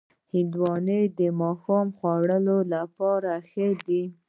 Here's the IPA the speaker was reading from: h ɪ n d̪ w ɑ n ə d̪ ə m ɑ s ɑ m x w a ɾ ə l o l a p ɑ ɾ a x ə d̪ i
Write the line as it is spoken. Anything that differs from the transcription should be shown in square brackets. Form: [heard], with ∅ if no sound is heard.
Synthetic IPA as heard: h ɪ n d̪ w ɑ n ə d̪ ə m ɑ [x] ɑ m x w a [ɽ] ə l o l a p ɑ ɾ a x ə d̪ i